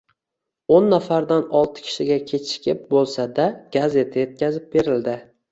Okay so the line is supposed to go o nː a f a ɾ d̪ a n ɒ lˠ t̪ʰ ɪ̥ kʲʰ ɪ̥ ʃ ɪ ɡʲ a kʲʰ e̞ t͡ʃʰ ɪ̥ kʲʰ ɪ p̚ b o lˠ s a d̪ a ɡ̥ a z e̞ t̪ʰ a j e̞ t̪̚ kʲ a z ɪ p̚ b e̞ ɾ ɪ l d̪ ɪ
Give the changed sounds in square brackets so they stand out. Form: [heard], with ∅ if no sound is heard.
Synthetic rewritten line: o nː a f a ɾ d̪ a n ɒ lˠ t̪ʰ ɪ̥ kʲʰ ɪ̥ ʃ ɪ ɡʲ a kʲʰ e̞ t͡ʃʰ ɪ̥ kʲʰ ɪ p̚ b o lˠ s a d̪ a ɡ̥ a z e̞ t̪ʰ a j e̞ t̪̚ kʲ a z ɪ p̚ b e̞ ɾ ɪ l d̪ ɪ